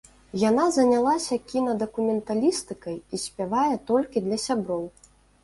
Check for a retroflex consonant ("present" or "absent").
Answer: absent